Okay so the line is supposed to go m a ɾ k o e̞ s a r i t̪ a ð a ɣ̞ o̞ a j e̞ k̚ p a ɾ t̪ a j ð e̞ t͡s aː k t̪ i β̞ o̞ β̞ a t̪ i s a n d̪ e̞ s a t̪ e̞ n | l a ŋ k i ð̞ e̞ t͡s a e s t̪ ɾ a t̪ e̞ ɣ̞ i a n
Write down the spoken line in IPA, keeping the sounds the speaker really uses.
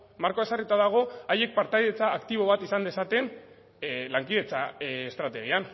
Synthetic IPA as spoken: m a ɾ k o e̞ s a r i t̪ a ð a ɣ̞ o̞ a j e̞ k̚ p a ɾ t̪ a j ð e̞ t͡s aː k t̪ i β̞ o̞ β̞ a t̪ i s a n d̪ e̞ s a t̪ e̞ n | l a ŋ k i ð̞ e̞ t͡s a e s t̪ ɾ a t̪ e̞ ɣ̞ i a n